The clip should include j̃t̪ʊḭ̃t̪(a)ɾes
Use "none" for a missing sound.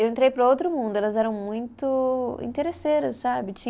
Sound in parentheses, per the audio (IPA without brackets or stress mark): e